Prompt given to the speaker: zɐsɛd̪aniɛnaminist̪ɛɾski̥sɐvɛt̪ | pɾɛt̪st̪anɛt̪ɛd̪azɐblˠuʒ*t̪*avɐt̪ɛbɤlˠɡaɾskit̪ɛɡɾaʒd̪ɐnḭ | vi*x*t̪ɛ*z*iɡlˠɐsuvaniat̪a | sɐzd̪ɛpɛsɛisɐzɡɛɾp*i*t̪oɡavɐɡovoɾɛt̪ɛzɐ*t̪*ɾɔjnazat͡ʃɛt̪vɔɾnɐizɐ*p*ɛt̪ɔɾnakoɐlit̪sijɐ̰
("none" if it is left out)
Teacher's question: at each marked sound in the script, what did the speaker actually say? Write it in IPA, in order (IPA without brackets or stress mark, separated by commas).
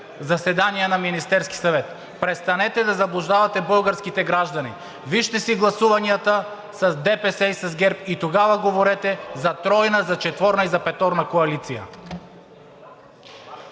d̪, ʃ, s, i, t̪, p